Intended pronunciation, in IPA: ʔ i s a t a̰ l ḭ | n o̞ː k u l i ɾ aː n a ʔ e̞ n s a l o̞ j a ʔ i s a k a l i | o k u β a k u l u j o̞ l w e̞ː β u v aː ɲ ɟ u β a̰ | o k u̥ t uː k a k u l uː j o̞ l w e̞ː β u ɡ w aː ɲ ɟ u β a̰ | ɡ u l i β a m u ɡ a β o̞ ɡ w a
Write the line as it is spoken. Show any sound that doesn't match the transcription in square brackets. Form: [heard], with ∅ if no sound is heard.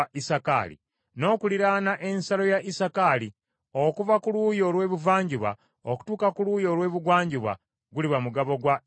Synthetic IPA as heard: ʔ i s a [k] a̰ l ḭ | n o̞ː k u l i ɾ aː n a ʔ e̞ n s a l o̞ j a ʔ i s a k a l i | o k u [v] a k u l u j o̞ l w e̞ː β u v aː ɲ ɟ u β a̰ | o k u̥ t uː k a k u l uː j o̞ l w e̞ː β u ɡ w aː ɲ ɟ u β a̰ | ɡ u l i β a m u ɡ a β o̞ ɡ w a